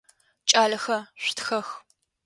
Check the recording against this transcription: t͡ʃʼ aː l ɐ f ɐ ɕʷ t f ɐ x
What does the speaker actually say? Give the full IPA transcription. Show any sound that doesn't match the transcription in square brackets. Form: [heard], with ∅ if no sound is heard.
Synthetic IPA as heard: t͡ʃʼ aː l ɐ [x] ɐ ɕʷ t [x] ɐ x